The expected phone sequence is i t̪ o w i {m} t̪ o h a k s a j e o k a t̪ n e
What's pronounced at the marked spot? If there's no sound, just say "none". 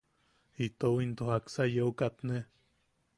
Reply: n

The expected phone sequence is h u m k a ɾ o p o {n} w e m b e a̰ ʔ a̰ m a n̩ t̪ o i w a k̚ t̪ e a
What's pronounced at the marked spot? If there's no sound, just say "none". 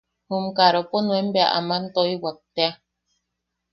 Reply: n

